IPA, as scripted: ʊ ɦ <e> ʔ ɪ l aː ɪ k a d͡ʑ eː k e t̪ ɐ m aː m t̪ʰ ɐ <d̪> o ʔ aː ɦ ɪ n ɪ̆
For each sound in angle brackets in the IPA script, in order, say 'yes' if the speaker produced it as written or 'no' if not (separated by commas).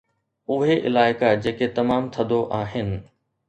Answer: yes, yes